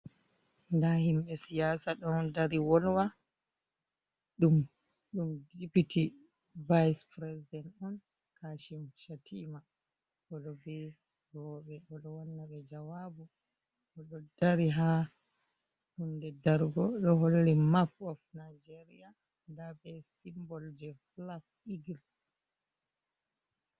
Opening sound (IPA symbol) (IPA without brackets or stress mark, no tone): n